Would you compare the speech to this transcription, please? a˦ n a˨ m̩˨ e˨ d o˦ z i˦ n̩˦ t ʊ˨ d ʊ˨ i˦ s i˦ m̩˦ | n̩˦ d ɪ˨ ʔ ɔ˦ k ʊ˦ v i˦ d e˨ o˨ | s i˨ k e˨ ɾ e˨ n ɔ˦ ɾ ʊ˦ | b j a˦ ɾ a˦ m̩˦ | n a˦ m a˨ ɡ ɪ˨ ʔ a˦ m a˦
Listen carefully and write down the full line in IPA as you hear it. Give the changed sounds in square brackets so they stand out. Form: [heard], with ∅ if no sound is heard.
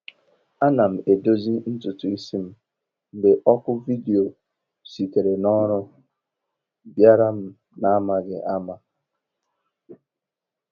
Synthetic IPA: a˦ n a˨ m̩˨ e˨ d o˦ z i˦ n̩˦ t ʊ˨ [t] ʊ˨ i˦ s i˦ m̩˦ | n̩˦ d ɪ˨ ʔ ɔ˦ k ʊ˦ v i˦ d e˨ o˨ | s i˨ k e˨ ɾ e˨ n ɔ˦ ɾ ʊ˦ | b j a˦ ɾ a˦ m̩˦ | n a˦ m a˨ ɡ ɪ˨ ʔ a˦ m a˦